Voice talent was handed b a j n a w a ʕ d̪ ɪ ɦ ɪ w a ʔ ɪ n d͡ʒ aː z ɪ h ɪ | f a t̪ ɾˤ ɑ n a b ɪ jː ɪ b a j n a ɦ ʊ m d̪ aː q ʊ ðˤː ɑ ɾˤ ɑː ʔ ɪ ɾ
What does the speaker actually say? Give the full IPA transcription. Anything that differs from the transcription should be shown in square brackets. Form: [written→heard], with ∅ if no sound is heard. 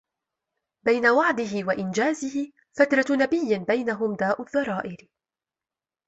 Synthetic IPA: b a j n a w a ʕ d̪ ɪ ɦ ɪ w a ʔ ɪ n d͡ʒ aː z ɪ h ɪ | f a t̪ ɾˤ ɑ n a b ɪ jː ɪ b a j n a ɦ ʊ m d̪ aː [q→ʔ] ʊ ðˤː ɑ ɾˤ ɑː ʔ ɪ ɾ